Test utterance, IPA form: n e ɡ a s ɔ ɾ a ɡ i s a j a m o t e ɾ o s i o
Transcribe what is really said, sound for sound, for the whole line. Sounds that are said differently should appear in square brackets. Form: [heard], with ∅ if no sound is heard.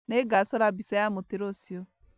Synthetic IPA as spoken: n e ɡ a s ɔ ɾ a [b] i s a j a m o t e ɾ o s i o